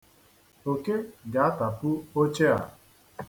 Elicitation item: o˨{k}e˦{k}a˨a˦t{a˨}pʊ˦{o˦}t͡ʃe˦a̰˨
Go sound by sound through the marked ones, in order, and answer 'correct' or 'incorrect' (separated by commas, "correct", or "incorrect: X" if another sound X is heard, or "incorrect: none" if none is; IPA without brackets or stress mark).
correct, incorrect: ɡ, correct, correct